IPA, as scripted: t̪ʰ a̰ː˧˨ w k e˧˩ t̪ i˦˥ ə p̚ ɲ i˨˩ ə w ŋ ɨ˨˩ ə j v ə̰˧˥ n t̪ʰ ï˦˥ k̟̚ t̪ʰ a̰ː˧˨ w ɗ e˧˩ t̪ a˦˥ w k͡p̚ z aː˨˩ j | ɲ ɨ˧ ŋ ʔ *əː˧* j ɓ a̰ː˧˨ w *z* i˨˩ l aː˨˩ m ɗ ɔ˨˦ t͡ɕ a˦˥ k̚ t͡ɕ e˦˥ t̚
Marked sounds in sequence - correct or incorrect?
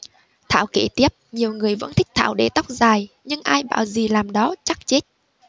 incorrect, correct

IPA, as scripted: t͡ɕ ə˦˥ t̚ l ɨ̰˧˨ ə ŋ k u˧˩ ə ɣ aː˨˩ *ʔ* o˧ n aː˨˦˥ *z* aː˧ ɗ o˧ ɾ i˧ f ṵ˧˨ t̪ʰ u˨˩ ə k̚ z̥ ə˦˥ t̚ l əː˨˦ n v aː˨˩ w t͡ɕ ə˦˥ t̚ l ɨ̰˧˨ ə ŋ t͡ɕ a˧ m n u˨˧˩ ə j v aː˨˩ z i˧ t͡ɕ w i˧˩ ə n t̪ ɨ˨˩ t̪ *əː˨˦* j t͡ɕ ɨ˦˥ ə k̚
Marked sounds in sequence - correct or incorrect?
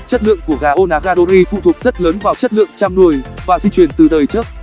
correct, incorrect, incorrect

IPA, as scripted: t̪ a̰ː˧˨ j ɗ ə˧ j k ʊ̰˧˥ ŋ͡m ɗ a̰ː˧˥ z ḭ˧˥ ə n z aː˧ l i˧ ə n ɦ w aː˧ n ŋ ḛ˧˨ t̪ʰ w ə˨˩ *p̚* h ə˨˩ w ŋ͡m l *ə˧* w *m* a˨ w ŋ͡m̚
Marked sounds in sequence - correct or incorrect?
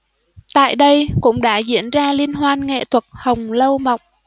incorrect, correct, correct

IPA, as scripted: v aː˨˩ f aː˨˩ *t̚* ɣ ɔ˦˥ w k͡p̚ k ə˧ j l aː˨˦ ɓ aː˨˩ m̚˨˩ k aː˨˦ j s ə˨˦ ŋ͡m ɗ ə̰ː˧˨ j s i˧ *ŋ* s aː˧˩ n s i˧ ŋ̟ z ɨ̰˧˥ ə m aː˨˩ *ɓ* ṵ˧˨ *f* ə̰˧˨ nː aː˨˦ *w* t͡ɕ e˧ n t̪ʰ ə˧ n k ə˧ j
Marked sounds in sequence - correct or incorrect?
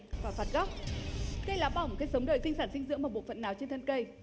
correct, correct, correct, correct, correct

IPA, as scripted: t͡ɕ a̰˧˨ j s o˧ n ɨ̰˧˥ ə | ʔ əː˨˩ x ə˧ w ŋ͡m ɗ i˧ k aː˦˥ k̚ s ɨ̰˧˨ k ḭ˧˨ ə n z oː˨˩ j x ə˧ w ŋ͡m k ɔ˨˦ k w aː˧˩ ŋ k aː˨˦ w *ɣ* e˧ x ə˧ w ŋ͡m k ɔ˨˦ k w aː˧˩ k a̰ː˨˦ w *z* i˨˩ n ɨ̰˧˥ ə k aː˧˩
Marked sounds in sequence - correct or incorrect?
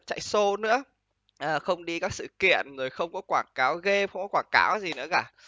correct, correct

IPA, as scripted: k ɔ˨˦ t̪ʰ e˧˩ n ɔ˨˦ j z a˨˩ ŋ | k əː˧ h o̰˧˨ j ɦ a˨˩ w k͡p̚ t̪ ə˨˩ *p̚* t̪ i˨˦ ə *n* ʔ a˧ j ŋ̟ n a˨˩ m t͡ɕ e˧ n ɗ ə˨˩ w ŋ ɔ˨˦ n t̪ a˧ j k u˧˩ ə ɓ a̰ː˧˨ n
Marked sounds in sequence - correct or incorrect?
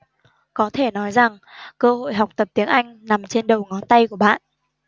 correct, incorrect

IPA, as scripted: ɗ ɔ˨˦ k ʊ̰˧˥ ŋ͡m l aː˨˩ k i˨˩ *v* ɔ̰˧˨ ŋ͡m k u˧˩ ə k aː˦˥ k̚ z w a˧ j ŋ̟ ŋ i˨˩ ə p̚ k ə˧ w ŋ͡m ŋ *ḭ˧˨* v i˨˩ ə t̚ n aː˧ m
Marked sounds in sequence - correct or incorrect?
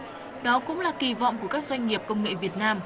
correct, incorrect

